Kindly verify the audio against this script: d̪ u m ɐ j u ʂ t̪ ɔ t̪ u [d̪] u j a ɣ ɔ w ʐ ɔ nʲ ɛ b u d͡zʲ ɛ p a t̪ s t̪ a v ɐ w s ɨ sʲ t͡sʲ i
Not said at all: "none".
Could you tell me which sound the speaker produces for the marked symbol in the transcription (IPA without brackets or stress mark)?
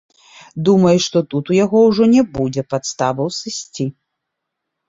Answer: t̪